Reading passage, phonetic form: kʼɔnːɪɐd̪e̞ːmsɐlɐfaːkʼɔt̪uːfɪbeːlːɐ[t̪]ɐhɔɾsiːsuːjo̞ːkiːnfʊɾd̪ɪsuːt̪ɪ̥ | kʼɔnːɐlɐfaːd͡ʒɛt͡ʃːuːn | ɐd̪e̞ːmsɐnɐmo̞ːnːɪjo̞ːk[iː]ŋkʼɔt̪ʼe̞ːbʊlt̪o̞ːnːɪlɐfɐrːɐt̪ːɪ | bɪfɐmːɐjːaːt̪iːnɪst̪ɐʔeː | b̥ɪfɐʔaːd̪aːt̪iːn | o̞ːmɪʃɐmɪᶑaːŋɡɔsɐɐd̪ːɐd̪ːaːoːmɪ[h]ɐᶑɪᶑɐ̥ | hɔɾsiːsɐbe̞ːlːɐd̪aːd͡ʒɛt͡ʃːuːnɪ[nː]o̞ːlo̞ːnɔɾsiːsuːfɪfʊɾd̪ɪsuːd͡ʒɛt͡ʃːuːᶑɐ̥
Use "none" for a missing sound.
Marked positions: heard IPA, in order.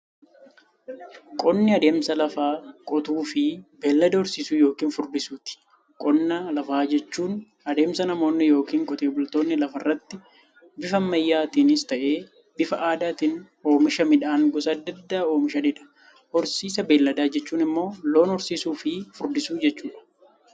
d̪, iː, ʃ, mː

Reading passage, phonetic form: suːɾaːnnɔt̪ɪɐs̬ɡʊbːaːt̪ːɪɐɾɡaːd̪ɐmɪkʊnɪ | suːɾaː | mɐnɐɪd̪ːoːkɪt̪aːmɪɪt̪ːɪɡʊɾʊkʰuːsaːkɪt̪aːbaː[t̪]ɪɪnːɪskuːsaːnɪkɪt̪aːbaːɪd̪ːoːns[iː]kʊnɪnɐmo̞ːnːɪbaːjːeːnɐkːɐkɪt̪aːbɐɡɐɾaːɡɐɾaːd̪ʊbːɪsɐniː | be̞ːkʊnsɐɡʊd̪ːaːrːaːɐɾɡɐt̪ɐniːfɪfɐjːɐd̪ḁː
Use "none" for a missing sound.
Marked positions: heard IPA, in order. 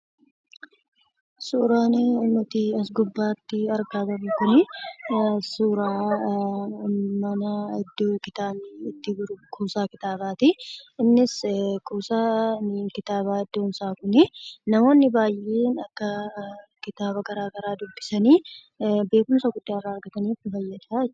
t̪, aː

